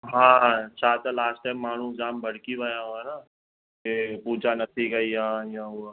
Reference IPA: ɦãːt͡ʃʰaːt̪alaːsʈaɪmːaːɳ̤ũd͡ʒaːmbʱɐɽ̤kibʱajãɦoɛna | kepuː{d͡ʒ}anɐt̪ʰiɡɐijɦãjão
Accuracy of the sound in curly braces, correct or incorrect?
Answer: correct